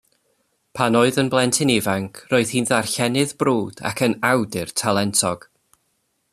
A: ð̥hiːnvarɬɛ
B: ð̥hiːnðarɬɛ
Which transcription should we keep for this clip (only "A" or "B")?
B